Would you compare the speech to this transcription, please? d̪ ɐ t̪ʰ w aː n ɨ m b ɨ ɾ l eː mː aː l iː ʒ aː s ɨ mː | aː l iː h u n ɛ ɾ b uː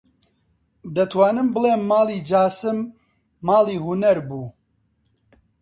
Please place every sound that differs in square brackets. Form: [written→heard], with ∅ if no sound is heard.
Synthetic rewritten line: d̪ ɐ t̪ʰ w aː n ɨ m b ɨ [ɾ→∅] l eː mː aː l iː [ʒ→d͡ʒ] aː s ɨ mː | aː l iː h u n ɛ ɾ b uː